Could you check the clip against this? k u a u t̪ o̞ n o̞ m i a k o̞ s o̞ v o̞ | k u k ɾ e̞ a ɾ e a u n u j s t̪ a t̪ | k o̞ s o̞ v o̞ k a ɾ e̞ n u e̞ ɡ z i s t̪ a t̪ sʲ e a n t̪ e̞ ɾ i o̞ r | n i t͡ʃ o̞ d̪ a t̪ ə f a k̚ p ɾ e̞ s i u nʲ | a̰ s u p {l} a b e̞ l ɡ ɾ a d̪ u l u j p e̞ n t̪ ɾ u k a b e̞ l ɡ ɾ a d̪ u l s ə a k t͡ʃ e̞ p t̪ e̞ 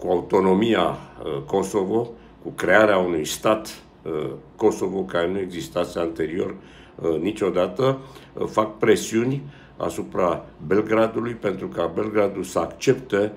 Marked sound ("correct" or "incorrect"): incorrect